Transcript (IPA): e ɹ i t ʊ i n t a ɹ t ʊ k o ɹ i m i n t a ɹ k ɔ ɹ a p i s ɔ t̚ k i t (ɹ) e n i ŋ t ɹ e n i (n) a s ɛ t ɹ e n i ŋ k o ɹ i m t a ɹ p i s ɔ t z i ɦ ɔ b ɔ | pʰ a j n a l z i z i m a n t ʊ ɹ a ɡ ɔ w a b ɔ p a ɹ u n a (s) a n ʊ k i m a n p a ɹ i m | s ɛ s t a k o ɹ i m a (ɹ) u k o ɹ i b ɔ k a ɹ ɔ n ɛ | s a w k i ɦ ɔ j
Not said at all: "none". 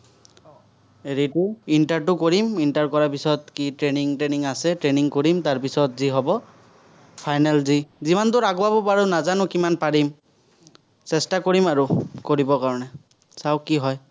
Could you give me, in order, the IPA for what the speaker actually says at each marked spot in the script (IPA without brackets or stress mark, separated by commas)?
ɹ, ŋ, z, ɹ